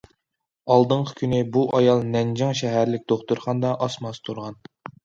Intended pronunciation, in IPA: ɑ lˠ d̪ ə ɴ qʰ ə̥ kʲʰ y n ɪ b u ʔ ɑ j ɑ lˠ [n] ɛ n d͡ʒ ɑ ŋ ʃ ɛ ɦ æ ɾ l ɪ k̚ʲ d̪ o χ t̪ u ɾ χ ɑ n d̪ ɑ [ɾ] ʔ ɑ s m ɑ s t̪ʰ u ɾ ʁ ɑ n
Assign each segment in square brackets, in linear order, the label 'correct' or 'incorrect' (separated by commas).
correct, incorrect